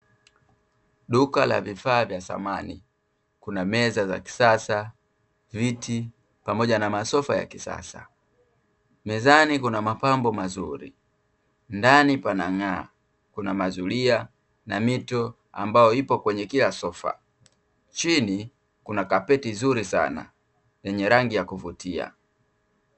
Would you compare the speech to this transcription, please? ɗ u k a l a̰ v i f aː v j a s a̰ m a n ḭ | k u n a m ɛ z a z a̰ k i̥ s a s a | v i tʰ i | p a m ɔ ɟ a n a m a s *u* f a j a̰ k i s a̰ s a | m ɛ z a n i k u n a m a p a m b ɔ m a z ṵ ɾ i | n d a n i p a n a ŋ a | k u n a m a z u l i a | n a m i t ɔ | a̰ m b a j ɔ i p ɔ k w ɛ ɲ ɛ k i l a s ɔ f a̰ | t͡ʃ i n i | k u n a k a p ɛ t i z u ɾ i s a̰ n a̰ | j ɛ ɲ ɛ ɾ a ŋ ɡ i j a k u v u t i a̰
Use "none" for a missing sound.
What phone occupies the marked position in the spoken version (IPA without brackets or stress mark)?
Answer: ɔ